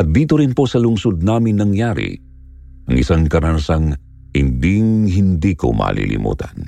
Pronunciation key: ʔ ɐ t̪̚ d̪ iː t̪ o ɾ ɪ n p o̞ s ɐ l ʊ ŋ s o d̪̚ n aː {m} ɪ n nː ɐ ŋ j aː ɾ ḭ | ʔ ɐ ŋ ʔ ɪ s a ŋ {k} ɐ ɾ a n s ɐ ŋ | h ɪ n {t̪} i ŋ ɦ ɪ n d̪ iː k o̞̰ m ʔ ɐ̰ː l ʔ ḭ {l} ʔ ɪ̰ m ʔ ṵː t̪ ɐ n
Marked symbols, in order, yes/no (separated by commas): yes, yes, no, yes